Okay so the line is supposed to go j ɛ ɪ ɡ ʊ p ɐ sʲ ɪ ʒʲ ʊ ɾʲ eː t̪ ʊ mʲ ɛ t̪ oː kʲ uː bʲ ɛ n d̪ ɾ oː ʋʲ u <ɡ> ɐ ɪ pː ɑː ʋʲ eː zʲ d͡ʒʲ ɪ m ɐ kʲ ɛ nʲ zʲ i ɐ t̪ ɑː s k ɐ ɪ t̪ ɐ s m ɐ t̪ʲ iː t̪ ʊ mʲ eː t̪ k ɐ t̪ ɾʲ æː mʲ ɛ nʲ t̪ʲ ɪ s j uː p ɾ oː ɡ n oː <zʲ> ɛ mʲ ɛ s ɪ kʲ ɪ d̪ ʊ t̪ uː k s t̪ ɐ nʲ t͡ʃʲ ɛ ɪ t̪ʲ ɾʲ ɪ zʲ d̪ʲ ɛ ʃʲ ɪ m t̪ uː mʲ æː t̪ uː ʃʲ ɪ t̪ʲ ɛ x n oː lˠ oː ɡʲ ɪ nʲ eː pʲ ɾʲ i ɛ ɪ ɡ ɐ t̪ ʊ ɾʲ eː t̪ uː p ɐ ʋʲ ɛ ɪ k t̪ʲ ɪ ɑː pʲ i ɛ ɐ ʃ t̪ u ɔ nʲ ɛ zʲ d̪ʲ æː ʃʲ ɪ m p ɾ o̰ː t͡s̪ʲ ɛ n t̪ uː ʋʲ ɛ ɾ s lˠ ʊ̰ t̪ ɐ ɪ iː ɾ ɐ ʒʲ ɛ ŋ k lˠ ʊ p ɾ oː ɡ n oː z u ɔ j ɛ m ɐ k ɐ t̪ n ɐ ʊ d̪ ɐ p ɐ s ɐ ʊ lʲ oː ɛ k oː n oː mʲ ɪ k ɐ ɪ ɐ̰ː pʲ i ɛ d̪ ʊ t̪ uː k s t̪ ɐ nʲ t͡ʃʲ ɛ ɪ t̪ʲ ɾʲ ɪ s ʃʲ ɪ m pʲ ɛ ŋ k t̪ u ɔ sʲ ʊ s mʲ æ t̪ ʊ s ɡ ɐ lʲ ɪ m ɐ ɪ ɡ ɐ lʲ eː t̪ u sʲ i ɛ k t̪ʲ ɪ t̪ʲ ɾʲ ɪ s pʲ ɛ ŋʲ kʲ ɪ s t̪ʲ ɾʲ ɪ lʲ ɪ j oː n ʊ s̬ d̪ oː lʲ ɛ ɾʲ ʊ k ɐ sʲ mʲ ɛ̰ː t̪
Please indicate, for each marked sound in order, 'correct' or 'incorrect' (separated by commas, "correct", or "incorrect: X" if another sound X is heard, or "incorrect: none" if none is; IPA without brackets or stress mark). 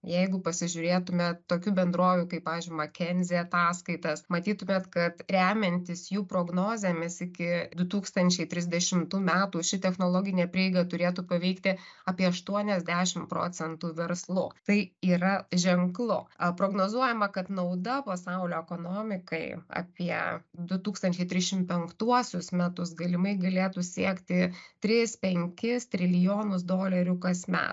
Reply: incorrect: k, correct